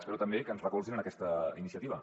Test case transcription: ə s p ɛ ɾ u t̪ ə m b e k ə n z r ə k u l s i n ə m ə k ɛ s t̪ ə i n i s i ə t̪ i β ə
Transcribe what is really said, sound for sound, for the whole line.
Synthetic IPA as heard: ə s p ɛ ɾ u t̪ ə m b e k ə n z r ə k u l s i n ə n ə k ɛ s t̪ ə i n i s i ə t̪ i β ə